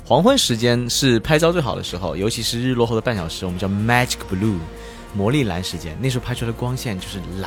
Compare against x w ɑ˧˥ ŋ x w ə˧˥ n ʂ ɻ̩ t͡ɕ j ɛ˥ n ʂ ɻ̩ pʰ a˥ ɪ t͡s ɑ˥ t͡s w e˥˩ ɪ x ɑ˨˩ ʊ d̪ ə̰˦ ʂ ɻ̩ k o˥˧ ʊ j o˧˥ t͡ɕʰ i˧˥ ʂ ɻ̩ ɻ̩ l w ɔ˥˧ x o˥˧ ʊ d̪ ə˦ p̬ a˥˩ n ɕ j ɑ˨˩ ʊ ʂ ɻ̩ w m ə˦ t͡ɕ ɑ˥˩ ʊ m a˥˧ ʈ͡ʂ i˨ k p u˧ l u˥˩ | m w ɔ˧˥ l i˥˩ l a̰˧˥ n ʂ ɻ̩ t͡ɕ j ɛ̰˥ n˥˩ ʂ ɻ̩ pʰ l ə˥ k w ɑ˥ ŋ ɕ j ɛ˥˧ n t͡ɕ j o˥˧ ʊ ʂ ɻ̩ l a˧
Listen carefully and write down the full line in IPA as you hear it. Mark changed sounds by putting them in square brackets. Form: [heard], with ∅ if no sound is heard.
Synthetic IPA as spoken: x w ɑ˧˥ ŋ x w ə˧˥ n ʂ ɻ̩ t͡ɕ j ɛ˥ n ʂ ɻ̩ pʰ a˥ ɪ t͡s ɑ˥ t͡s w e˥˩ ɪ x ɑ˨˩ ʊ d̪ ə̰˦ ʂ ɻ̩ [x] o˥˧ ʊ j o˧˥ t͡ɕʰ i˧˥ ʂ ɻ̩ ɻ̩ l w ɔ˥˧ x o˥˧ ʊ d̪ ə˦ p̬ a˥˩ n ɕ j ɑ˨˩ ʊ ʂ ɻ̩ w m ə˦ t͡ɕ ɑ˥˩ ʊ m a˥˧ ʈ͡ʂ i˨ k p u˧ l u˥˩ | m w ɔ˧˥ l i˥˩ l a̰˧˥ n ʂ ɻ̩ t͡ɕ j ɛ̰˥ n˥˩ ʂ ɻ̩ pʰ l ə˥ k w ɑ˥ ŋ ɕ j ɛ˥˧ n t͡ɕ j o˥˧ ʊ ʂ ɻ̩ l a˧